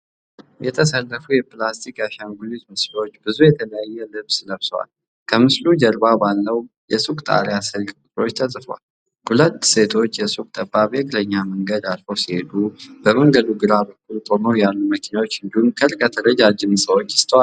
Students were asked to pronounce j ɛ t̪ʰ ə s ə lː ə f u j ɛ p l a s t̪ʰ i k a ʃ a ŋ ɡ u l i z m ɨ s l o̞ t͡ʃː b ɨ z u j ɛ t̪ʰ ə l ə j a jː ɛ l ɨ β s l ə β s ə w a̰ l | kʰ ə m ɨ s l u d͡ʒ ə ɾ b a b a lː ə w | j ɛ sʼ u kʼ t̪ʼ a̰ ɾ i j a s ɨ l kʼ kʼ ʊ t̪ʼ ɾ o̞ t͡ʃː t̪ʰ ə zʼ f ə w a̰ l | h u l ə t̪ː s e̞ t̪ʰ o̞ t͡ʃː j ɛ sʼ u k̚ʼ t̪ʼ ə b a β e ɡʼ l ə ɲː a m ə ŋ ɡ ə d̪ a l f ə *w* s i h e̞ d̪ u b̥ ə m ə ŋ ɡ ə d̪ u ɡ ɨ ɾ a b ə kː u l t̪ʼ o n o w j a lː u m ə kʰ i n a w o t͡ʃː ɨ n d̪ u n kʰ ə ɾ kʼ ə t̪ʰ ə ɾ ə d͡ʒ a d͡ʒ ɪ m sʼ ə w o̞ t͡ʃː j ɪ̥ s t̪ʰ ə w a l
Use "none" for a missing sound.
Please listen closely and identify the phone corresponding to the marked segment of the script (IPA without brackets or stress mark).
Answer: w